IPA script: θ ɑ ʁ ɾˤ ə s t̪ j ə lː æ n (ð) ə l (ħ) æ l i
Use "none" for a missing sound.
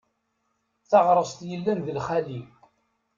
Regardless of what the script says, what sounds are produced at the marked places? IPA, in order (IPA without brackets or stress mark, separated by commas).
ð, χ